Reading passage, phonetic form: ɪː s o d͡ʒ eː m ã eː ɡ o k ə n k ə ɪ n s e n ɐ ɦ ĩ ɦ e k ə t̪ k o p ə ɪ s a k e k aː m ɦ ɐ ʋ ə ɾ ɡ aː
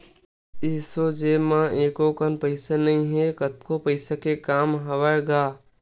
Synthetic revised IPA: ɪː s o d͡ʒ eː m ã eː k o k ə n p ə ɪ s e n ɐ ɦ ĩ ɦ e k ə t̪ k o p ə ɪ s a k e k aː m ɦ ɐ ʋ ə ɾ ɡ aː